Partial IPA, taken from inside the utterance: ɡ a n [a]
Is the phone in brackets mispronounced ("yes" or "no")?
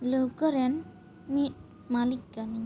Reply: yes